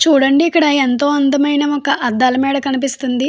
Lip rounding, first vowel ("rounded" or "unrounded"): rounded